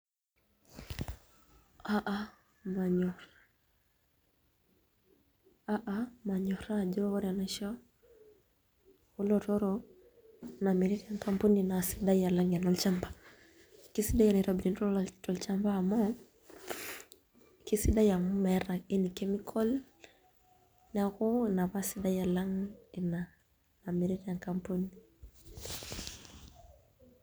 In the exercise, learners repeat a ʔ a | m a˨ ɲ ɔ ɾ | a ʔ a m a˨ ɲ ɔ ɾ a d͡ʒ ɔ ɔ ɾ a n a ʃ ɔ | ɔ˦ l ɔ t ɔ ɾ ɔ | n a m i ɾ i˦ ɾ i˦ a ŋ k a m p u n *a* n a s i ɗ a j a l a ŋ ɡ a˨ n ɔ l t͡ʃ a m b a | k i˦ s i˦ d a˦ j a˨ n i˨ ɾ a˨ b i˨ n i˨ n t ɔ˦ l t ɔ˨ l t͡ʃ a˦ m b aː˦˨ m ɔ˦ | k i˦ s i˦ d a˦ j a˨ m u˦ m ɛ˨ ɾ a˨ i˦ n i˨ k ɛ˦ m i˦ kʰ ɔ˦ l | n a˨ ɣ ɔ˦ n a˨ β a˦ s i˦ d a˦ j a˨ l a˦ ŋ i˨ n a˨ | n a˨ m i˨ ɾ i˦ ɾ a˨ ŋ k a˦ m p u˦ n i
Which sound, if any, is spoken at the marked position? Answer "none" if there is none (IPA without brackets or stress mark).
i